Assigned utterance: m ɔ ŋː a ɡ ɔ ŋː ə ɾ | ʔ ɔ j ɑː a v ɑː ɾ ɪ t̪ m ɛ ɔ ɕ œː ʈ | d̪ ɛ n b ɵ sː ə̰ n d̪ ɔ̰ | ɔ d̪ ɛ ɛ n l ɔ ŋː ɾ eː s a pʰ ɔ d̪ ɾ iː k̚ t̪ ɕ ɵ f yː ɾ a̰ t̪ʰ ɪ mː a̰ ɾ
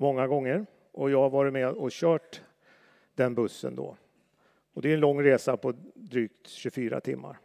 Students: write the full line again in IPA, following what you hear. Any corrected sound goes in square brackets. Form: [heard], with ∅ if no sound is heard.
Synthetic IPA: m ɔ ŋː a ɡ ɔ ŋː ə ɾ | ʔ ɔ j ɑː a v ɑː ɾ ɪ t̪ m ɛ ɔ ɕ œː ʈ | d̪ ɛ n b ɵ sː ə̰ n d̪ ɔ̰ | ɔ d̪ ɛ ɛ n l ɔ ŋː ɾ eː s a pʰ ɔ d̪ ɾ [yː] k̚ t̪ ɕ ɵ f yː ɾ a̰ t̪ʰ ɪ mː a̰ ɾ